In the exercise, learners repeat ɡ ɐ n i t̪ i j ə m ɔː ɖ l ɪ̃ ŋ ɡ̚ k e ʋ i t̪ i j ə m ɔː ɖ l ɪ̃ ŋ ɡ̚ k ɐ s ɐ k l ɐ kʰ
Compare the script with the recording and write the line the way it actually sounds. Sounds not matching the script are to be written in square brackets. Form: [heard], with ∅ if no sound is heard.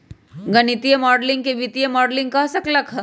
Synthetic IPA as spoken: ɡ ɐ n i t̪ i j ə m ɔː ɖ l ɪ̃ ŋ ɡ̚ k e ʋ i t̪ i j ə m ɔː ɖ l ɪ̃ ŋ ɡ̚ k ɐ s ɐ k l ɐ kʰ